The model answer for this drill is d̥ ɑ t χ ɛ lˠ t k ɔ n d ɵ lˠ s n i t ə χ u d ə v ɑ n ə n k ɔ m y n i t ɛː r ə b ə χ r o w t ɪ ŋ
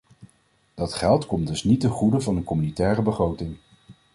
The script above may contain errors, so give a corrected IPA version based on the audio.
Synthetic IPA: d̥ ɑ t χ ɛ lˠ t k ɔ m d ɵ s n i t ə χ u d ə v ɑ n ə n k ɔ m y n i t ɛː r ə b ə χ r o w t ɪ ŋ